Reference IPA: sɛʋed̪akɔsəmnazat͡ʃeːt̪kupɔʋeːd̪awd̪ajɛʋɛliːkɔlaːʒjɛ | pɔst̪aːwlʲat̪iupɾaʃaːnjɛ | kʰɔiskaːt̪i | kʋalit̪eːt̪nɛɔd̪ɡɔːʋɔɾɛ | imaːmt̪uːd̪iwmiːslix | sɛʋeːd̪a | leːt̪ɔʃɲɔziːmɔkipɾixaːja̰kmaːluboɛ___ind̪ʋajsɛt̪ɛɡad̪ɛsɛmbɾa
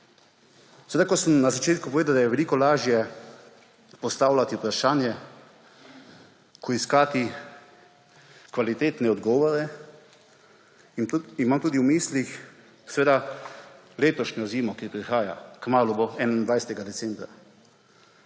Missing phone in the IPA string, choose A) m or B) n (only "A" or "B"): B